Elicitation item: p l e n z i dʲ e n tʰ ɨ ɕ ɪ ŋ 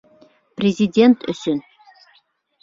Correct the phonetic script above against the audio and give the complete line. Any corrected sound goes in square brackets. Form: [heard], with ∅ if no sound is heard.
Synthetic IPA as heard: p [r] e [∅] z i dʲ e n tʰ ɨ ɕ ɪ [n]